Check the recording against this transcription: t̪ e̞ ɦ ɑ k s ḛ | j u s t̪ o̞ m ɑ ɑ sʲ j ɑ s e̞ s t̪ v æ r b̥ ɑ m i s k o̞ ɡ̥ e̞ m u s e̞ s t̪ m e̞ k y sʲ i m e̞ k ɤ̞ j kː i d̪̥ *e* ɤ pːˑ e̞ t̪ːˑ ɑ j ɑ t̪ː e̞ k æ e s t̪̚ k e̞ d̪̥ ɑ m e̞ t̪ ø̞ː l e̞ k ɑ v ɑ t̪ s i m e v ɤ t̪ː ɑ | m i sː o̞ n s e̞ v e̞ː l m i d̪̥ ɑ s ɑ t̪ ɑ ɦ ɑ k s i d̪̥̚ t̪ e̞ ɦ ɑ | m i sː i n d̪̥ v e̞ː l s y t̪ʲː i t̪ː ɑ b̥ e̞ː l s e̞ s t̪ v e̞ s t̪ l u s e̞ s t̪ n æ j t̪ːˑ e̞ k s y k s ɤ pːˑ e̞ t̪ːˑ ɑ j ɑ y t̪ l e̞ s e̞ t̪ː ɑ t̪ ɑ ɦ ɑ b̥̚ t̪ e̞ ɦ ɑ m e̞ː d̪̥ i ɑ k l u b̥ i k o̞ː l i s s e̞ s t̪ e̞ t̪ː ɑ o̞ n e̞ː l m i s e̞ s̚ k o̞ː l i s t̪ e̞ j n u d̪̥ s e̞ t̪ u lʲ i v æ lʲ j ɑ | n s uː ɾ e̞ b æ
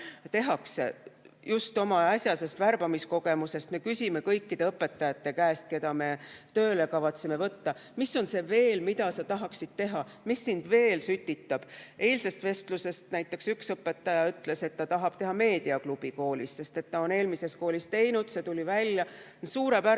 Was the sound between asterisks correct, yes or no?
yes